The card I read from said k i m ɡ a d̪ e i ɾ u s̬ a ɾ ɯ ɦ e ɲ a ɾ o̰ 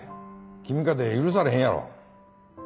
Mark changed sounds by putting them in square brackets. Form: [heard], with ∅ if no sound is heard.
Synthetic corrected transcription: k i m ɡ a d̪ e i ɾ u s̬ a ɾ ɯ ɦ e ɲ a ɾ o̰